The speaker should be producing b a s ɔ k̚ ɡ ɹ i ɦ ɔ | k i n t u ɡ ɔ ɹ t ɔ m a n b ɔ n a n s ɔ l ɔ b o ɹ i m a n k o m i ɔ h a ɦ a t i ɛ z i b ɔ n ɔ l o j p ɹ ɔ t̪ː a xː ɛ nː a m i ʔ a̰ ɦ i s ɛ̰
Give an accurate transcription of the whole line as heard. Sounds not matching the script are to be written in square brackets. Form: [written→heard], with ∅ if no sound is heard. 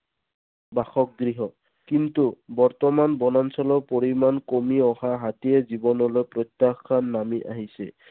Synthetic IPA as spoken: b a [s→x] ɔ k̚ ɡ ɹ i ɦ ɔ | k i n t u [ɡ→b] ɔ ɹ t ɔ m a n b ɔ n a n s ɔ l ɔ [b→p] o ɹ i m a n k o m i ɔ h a ɦ a t i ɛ z i b ɔ n ɔ l o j p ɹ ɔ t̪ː a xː [ɛ→a] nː a m i ʔ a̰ ɦ i s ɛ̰